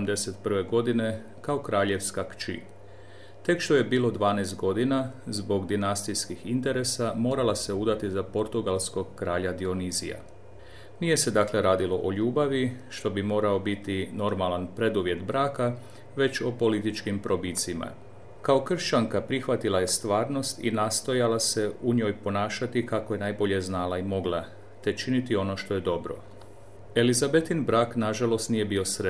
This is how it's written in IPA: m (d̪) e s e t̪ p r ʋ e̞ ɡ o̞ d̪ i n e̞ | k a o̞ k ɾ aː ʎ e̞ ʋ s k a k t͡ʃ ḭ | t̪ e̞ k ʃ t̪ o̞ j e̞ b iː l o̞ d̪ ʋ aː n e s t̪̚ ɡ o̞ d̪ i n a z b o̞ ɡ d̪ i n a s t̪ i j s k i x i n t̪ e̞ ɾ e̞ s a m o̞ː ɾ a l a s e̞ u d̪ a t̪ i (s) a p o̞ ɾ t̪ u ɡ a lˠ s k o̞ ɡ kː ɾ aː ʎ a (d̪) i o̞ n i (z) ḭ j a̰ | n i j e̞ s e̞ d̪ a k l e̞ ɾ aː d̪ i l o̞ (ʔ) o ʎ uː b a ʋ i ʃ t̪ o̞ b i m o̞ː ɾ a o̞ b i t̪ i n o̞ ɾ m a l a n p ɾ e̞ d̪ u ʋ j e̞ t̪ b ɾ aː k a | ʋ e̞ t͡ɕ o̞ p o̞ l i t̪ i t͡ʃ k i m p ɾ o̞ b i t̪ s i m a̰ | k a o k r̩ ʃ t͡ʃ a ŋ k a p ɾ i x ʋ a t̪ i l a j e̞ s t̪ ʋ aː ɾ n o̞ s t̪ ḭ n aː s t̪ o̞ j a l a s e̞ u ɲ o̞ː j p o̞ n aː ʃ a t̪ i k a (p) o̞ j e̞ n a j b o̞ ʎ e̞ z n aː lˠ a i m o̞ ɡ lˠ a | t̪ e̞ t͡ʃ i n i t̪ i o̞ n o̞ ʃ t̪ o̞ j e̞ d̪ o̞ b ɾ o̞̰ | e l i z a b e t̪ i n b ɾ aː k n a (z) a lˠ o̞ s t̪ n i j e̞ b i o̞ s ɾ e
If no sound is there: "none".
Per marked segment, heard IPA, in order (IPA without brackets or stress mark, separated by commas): d̪, z, d̪, z, ʔ, k, ʒ